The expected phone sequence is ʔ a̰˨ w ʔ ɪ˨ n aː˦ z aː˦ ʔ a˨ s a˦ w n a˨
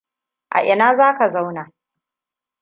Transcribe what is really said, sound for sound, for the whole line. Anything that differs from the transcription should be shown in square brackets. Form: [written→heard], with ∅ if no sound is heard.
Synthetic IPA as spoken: ʔ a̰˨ [w→∅] ʔ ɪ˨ n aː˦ z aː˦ [ʔ→k] a˨ [s→z] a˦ w n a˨